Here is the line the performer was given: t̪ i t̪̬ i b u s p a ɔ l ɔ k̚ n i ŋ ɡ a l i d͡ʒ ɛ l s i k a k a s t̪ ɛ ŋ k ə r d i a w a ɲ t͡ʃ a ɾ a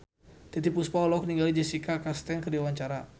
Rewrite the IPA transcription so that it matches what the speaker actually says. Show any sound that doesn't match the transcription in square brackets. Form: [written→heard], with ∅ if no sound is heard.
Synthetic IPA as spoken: t̪ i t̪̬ i [b→p] u s p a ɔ l ɔ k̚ n i ŋ ɡ a l i d͡ʒ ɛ [l→∅] s i k a k a s t̪ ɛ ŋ k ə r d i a w a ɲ t͡ʃ a ɾ a